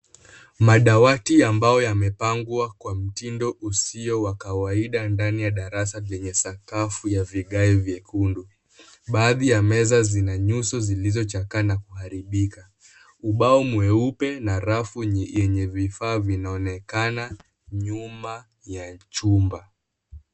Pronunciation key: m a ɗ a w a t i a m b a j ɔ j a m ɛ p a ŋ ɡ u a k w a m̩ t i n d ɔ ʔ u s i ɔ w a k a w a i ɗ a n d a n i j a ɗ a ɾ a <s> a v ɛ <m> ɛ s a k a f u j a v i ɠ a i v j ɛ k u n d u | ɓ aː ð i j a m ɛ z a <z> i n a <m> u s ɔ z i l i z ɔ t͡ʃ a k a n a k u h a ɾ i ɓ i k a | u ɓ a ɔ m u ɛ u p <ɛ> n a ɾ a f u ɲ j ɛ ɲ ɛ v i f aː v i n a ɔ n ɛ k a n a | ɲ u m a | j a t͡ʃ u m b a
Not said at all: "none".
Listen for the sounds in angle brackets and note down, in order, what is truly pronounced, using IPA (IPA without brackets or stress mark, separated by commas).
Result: s, ɲ, z, ɲ, ɛ